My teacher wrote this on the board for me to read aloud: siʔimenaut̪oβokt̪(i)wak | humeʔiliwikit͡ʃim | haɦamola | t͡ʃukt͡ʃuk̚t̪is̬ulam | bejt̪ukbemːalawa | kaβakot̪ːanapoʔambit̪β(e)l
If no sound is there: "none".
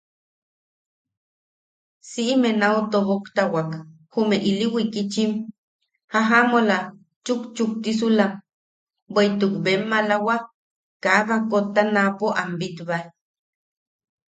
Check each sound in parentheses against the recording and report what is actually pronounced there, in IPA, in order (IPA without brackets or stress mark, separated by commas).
a, a